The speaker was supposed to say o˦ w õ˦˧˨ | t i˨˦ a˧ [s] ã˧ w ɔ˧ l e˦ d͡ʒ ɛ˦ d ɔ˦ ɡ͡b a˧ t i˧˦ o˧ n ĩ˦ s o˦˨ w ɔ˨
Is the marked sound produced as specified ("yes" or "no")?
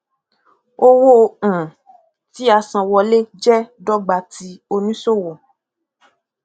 yes